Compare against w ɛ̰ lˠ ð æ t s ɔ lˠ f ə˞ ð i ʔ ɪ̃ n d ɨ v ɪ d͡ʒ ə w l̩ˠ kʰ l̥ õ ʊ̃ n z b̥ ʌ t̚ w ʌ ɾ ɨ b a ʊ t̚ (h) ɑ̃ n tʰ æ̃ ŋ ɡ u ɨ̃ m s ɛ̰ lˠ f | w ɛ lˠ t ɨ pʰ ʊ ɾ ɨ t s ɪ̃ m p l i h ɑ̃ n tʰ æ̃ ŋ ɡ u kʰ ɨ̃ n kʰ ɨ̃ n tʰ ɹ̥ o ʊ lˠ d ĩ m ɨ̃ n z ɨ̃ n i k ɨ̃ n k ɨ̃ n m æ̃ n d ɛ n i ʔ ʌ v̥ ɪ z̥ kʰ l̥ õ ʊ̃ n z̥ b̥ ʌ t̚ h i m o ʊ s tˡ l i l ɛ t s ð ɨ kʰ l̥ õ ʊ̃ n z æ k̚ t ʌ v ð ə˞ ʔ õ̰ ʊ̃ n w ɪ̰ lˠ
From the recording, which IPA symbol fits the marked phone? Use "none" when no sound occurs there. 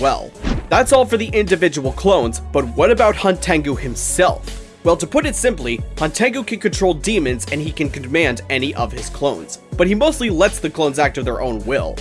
h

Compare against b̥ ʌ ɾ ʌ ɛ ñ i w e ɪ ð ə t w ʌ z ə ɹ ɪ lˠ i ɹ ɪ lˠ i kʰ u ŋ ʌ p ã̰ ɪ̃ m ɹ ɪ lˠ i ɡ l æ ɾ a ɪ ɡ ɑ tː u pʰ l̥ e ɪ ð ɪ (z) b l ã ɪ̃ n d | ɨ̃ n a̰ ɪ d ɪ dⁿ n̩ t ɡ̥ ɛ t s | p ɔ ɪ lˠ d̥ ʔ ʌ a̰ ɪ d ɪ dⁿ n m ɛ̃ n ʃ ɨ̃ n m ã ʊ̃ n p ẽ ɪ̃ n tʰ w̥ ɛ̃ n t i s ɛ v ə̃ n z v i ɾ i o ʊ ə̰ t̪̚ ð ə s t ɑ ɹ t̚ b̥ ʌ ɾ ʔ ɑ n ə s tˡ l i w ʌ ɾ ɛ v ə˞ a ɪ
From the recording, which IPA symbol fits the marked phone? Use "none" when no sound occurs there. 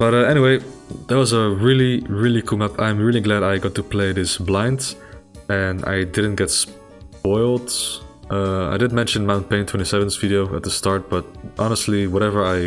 s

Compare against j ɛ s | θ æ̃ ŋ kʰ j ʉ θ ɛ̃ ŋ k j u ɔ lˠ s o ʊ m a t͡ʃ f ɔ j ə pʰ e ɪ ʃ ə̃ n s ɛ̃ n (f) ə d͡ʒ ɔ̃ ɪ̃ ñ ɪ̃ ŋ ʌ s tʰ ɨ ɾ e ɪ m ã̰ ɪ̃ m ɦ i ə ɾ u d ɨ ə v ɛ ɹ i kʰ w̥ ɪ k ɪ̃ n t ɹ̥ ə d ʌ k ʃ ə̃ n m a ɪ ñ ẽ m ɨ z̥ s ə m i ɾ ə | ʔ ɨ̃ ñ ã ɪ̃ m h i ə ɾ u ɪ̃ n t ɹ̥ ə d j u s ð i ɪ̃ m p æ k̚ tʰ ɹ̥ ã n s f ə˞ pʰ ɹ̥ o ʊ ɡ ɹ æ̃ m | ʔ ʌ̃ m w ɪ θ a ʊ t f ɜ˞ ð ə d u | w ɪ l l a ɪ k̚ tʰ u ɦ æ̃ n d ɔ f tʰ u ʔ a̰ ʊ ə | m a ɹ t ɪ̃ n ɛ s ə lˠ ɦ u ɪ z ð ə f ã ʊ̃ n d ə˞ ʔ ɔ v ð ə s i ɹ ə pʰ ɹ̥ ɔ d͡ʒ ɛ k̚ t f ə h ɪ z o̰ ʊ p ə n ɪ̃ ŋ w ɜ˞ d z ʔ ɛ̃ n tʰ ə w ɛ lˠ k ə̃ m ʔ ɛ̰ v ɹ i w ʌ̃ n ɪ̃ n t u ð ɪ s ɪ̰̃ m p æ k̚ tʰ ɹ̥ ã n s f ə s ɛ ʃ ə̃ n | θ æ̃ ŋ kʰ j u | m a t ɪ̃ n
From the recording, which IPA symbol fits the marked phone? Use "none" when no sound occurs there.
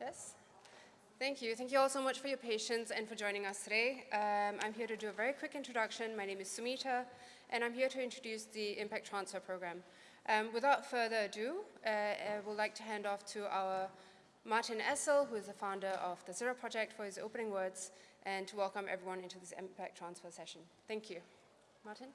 f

